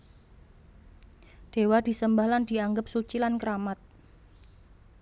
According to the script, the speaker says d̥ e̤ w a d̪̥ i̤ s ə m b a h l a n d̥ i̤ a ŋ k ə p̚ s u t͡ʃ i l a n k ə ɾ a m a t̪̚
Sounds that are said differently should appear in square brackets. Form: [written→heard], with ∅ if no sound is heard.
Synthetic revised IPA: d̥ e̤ w a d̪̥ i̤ s ə m b a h l a n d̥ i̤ a ŋ [k→ɡ] ə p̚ s u t͡ʃ i l a n k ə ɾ a m a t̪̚